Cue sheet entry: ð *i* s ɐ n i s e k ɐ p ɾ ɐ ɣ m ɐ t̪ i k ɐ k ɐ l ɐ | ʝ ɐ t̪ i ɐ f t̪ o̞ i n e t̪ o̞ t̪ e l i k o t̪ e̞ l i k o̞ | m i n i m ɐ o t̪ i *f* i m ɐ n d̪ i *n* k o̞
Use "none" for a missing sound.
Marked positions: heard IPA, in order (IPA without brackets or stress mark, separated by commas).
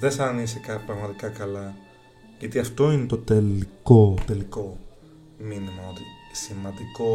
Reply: e, s, none